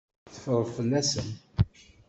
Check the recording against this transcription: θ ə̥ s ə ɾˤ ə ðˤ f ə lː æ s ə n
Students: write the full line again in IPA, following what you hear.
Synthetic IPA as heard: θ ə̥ f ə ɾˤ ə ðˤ f ə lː æ s ə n